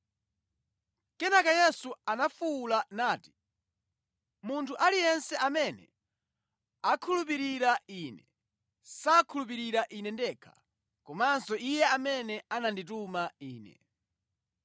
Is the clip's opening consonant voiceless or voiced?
voiceless